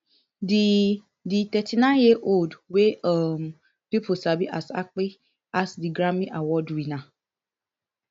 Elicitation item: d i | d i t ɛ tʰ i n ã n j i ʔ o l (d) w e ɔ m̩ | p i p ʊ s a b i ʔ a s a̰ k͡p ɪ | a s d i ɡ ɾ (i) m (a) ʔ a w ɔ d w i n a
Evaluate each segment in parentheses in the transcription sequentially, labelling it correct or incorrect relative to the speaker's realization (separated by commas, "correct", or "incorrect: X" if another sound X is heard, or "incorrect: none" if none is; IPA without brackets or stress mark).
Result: correct, incorrect: a, incorrect: i